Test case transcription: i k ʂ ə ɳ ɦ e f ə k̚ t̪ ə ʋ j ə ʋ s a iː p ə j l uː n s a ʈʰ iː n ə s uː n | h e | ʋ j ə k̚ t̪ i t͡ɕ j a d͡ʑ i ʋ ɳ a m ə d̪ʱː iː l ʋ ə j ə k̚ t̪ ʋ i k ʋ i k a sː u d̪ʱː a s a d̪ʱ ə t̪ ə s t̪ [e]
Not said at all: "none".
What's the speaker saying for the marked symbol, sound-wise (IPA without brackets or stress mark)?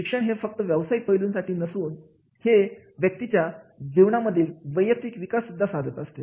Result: e